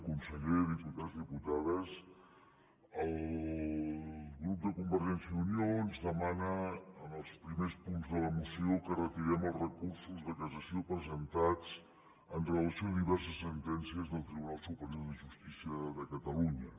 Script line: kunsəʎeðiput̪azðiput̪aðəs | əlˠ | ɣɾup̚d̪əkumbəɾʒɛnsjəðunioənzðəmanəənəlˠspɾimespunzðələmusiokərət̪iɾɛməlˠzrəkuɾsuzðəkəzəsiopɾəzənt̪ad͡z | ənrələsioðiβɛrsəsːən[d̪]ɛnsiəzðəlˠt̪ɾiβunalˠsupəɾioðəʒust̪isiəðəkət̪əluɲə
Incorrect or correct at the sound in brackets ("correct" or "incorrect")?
incorrect